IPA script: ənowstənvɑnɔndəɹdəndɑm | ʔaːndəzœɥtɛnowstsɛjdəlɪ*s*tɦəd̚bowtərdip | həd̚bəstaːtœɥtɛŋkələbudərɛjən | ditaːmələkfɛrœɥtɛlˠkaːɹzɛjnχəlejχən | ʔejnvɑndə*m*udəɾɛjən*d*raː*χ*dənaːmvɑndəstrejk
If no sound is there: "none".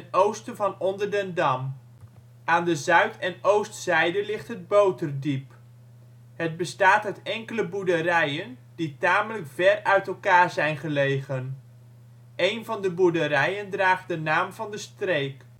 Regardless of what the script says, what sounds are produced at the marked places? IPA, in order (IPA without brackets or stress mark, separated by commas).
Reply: χ, b, d, χ